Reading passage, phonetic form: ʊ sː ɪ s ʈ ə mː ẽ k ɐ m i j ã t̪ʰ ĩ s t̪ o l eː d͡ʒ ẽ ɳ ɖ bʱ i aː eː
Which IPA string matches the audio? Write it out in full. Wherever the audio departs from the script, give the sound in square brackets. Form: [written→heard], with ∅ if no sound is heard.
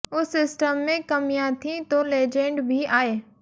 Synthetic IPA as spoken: ʊ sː ɪ s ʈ ə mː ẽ k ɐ m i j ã t̪ʰ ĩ [s→∅] t̪ o l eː d͡ʒ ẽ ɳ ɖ bʱ i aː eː